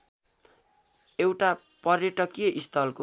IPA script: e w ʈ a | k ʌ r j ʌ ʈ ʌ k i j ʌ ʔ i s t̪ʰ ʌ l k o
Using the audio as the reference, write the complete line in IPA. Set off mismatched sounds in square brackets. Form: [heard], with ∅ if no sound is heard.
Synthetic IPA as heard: e w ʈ a | [p] ʌ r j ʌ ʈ ʌ k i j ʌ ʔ i s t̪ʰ ʌ l k o